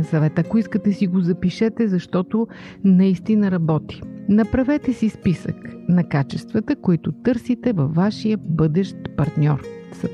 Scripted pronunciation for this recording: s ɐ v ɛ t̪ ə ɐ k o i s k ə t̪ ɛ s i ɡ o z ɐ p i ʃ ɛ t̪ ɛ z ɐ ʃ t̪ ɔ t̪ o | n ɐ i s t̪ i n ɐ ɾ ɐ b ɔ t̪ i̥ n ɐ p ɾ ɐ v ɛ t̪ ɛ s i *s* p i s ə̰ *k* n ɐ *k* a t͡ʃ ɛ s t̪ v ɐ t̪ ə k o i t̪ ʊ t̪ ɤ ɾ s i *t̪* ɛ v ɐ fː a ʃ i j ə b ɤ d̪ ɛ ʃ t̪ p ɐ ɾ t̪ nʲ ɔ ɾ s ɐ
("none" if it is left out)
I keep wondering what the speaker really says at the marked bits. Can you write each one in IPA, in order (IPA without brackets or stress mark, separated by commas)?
s, k, k, t̪